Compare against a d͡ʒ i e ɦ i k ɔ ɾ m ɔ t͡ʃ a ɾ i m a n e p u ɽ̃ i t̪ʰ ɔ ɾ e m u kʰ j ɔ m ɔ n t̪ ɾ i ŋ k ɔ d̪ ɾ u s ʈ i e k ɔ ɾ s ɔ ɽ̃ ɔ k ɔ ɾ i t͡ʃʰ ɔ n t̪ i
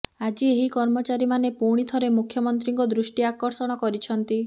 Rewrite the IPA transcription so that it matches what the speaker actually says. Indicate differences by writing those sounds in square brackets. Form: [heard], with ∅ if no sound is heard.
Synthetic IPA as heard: a d͡ʒ i e ɦ i k ɔ ɾ m ɔ t͡ʃ a ɾ i m a n e p u ɽ̃ i t̪ʰ ɔ ɾ e m u kʰ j ɔ m ɔ n t̪ ɾ i ŋ k ɔ d̪ ɾ u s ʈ i [a] k ɔ ɾ s ɔ ɽ̃ ɔ k ɔ ɾ i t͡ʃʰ ɔ n t̪ i